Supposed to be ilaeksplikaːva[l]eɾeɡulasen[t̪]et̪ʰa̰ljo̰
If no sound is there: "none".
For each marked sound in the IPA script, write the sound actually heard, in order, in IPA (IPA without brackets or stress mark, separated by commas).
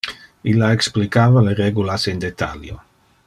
l, d̪